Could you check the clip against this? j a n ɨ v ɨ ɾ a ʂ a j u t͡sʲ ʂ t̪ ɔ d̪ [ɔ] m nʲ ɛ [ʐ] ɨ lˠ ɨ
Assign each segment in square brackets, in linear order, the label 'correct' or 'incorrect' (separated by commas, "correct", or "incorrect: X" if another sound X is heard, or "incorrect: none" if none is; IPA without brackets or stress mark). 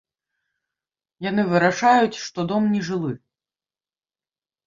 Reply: correct, correct